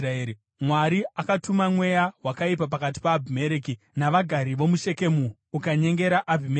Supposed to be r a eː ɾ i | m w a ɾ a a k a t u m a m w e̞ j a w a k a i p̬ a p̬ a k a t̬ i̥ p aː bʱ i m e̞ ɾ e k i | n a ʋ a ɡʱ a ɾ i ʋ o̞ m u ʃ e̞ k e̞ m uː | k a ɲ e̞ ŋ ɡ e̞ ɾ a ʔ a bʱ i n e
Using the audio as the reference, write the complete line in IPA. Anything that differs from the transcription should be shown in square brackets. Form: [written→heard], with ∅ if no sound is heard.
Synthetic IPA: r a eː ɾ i | m w a ɾ [a→i] a k a t u m a m w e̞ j a w a k a i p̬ a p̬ a k a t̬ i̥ p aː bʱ i m e̞ ɾ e k i | n a ʋ a ɡʱ a ɾ i ʋ o̞ m u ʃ e̞ k e̞ m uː | k a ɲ e̞ ŋ ɡ e̞ ɾ a ʔ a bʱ i [n→m] e